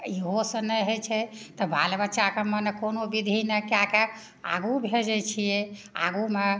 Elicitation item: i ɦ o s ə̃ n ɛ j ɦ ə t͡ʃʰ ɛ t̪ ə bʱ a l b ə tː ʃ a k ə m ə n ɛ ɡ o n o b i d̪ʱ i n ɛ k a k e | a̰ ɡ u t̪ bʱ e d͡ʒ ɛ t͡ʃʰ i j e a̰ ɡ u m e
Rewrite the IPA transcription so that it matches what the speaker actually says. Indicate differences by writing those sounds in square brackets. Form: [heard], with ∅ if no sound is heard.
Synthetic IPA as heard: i ɦ o s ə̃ n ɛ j ɦ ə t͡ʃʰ ɛ t̪ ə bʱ a l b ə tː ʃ a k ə m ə n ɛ [k] o n o b i d̪ʱ i n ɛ k a k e | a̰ ɡ u [∅] bʱ e d͡ʒ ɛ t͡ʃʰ i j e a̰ ɡ u m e

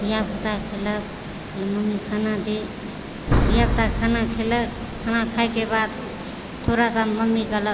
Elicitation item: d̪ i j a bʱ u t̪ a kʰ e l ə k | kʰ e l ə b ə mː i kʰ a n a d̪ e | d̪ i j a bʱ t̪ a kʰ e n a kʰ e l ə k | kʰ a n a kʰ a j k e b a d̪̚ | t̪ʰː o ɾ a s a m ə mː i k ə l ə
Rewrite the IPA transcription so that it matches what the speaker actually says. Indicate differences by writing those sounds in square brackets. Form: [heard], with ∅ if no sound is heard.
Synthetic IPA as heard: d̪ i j a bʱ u t̪ a kʰ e l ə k | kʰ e l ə [m] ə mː i kʰ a n a d̪ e | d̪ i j a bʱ t̪ a kʰ [a] n a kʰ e l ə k | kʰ a n a kʰ a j k e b a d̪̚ | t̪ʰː o ɾ a s a m ə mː i k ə l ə

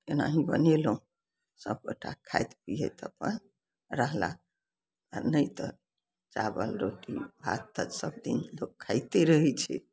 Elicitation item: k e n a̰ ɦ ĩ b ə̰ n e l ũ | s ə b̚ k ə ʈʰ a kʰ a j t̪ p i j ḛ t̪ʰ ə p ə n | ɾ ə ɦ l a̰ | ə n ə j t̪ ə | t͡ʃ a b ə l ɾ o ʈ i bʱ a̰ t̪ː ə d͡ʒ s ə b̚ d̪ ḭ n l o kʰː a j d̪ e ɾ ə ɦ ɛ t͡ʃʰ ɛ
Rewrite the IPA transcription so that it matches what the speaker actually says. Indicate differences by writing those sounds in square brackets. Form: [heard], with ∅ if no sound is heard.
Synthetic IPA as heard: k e n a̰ ɦ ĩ b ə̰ n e l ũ | s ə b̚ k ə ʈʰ a kʰ a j t̪ p i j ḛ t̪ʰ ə p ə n | ɾ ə ɦ l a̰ | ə n ə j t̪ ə | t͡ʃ a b ə l ɾ o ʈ i bʱ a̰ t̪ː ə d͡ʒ s ə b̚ d̪ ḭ n l o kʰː a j [t̪] e ɾ ə ɦ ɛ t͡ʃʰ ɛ

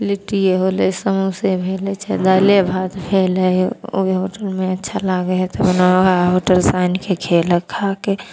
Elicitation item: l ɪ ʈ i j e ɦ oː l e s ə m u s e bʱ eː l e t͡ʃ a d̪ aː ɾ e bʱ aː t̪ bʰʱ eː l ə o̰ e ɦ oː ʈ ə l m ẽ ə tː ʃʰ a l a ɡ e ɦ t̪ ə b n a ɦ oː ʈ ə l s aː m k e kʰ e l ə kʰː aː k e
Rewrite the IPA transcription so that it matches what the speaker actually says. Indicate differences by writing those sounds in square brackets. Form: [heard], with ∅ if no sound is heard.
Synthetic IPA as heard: l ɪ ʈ i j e ɦ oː l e s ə m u s e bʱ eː l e t͡ʃ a d̪ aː [l] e bʱ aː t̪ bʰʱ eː l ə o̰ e ɦ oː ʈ ə l m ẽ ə tː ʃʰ a l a ɡ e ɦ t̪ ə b n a ɦ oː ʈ ə l s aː [n] k e kʰ e l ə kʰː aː k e

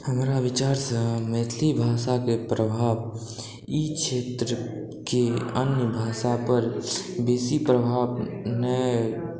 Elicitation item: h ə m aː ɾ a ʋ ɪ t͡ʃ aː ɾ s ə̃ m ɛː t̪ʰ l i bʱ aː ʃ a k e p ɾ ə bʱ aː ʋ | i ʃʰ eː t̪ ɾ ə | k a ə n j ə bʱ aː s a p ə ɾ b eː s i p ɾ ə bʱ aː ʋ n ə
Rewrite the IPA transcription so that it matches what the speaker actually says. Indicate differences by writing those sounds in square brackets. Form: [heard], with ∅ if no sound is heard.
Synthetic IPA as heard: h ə m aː ɾ a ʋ ɪ t͡ʃ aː ɾ s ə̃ m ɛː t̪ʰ l i bʱ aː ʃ a k e p ɾ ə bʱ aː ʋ | i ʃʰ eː t̪ ɾ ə | k [e] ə n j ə bʱ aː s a p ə ɾ b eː s i p ɾ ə bʱ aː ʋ n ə

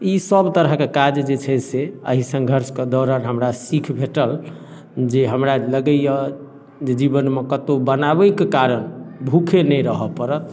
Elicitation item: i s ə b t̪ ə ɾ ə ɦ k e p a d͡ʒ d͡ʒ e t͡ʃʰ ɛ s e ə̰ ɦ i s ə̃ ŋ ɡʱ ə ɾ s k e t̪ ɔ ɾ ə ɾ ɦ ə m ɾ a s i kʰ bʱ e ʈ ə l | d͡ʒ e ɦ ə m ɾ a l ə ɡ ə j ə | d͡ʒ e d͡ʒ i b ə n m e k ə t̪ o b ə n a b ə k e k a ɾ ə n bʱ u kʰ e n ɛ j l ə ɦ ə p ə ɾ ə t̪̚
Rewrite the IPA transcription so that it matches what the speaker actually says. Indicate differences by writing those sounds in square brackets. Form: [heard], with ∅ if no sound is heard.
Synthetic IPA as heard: i s ə b t̪ ə ɾ ə ɦ k e [k] a d͡ʒ d͡ʒ e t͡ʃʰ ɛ s e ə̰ ɦ i s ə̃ ŋ ɡʱ ə ɾ s k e [d̪] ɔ ɾ ə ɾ ɦ ə m ɾ a s i kʰ bʱ e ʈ ə l | d͡ʒ e ɦ ə m ɾ a l ə ɡ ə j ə | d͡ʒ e d͡ʒ i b ə n m e k ə t̪ o b ə n a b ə k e k a ɾ ə n bʱ u kʰ e n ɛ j [ɾ] ə ɦ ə p ə ɾ ə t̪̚

